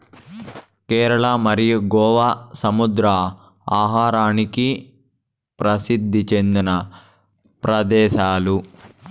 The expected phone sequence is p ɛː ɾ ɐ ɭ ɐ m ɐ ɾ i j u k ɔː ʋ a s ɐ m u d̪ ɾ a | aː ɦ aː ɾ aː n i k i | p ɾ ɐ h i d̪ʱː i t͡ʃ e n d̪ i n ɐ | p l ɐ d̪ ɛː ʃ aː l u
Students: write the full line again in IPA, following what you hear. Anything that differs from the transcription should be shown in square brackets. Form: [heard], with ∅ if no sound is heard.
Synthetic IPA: [k] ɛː ɾ ɐ ɭ ɐ m ɐ ɾ i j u [ɡ] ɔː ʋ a s ɐ m u d̪ ɾ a | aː ɦ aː ɾ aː n i k i | p ɾ ɐ [s] i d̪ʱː i t͡ʃ e n d̪ i n ɐ | p [ɾ] ɐ d̪ ɛː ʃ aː l u